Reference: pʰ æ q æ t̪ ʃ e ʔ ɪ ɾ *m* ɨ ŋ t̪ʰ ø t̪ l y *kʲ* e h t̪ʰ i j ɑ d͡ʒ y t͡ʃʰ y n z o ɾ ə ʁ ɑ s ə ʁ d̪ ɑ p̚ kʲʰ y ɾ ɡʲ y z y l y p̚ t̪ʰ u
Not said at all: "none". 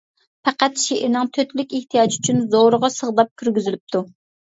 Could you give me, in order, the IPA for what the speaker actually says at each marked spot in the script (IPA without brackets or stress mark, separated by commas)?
n, kʲ